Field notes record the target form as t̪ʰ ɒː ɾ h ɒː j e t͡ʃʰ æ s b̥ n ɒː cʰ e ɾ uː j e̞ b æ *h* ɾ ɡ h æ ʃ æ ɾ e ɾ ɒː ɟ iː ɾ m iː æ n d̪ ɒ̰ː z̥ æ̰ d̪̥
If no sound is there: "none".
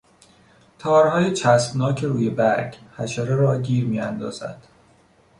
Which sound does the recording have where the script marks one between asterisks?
none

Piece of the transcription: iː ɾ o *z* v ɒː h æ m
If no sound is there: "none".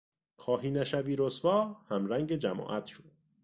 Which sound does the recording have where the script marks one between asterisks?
s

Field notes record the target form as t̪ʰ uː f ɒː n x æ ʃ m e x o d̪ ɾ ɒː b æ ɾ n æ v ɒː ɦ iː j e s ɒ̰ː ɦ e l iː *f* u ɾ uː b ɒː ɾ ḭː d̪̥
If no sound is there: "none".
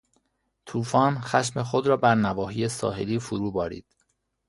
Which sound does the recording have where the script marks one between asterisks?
f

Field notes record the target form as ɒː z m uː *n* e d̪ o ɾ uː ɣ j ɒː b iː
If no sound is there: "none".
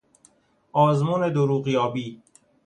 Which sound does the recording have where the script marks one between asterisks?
n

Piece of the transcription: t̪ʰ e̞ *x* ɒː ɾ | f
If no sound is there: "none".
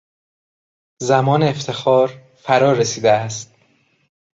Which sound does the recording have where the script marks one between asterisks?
x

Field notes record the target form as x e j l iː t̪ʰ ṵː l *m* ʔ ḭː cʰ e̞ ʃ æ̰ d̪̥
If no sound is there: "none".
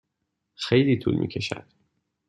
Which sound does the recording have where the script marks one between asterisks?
m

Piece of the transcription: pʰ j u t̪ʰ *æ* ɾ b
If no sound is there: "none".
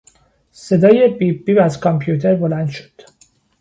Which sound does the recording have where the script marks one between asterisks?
e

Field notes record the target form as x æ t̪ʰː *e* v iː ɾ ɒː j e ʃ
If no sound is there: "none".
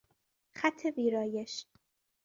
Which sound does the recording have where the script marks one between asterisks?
e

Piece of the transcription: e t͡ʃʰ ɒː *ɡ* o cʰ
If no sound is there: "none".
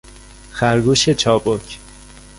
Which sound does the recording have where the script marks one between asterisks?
b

